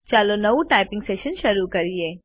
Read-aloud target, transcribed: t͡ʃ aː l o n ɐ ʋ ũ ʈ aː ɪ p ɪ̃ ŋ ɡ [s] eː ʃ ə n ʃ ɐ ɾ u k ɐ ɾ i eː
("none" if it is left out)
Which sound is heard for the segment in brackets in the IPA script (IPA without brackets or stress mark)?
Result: s